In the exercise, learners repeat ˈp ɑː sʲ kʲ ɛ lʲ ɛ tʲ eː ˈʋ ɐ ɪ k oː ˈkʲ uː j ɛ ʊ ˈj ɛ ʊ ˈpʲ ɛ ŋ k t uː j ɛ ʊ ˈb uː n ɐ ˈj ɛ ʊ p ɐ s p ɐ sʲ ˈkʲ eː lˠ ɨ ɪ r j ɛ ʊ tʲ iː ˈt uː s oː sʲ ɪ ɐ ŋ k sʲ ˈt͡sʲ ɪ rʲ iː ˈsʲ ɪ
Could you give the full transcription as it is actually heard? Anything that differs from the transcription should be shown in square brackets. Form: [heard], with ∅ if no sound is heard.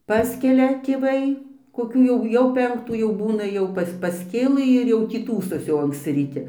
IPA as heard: ˈp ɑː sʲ kʲ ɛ lʲ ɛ tʲ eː ˈʋ ɐ ɪ k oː ˈkʲ uː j ɛ ʊ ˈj ɛ ʊ ˈpʲ ɛ ŋ k t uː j ɛ ʊ ˈb uː n ɐ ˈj ɛ ʊ p ɐ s p ɐ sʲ ˈkʲ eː lˠ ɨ ɪ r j ɛ ʊ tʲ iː ˈt uː s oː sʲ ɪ ɐ ŋ k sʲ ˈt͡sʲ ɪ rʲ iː [ˈtʲ] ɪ